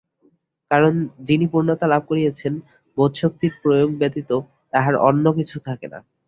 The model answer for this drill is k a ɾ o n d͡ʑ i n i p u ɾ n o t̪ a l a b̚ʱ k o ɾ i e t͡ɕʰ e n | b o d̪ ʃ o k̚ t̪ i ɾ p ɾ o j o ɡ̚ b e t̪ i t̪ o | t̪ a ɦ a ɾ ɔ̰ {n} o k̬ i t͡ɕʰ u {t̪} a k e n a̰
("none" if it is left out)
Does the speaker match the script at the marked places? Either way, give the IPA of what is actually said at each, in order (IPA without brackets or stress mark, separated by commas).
nː, t̪ʰ